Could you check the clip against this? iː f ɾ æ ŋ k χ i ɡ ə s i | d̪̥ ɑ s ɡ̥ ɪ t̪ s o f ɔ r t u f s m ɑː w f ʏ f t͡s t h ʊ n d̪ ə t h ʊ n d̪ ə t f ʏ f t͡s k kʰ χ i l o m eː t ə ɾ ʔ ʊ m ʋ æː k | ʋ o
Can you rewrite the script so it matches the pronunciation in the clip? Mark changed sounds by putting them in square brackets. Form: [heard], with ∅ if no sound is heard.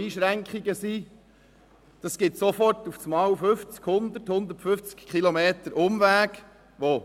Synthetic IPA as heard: iː [ʃ] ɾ æ ŋ k χ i ɡ ə s i | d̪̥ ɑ s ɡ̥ ɪ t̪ s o f ɔ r t u f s m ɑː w f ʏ f t͡s [k] h ʊ n d̪ ə t h ʊ n d̪ ə t f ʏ f t͡s k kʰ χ i l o m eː t ə ɾ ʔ ʊ m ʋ æː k | ʋ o

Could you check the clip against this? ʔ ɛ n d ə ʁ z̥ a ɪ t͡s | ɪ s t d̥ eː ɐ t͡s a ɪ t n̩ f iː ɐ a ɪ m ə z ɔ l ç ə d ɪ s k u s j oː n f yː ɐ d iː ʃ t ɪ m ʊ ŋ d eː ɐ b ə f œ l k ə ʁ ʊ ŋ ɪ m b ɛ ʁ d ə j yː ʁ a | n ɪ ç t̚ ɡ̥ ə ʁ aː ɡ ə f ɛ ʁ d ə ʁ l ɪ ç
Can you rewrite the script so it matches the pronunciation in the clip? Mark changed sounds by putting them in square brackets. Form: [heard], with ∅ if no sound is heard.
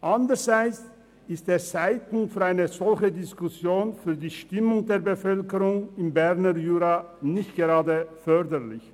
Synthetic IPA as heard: ʔ [a] n d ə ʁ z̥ a ɪ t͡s | ɪ s t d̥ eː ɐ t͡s a ɪ t n̩ f [yː] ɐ a ɪ [n] ə z ɔ l ç ə d ɪ s k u s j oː n f yː ɐ d iː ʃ t ɪ m ʊ ŋ d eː ɐ b ə f œ l k ə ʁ ʊ ŋ ɪ m b ɛ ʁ [n] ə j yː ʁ a | n ɪ ç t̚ ɡ̥ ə ʁ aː [d] ə f [œ] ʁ d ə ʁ l ɪ ç

